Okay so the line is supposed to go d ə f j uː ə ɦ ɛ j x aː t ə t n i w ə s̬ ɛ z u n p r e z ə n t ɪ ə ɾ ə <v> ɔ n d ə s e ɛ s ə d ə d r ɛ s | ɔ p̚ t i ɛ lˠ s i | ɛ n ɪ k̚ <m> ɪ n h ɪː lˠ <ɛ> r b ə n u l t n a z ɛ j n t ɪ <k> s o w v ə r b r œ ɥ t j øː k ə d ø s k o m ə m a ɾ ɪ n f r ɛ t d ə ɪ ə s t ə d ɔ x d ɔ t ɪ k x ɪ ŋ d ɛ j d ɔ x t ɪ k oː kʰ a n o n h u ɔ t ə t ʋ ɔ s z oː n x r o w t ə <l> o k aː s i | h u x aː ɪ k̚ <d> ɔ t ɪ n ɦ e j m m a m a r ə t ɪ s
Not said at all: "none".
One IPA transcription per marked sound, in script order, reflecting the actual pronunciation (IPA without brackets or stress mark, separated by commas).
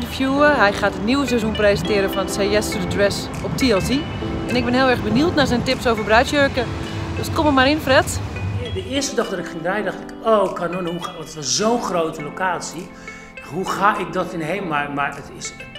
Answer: f, b, ɛ, p, l, d